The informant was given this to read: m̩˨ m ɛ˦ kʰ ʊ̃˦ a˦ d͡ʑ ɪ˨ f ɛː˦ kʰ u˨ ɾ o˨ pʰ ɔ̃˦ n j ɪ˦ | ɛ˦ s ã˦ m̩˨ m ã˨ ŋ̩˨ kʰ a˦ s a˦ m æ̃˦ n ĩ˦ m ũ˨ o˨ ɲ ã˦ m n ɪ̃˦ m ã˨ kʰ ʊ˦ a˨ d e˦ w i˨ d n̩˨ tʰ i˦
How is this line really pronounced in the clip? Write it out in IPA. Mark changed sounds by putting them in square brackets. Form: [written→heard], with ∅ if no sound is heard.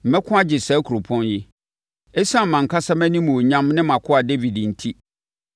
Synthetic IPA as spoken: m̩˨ m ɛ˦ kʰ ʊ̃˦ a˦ d͡ʑ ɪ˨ [f→s] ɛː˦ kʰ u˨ ɾ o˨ pʰ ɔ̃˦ n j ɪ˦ | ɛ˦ s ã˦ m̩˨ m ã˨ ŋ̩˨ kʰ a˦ s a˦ m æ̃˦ n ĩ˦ m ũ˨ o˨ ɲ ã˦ m n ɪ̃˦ m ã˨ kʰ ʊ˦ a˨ d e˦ [w→v] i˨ d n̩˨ tʰ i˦